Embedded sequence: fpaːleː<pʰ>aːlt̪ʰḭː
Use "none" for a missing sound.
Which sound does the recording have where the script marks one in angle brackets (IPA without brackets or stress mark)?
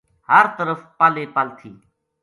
p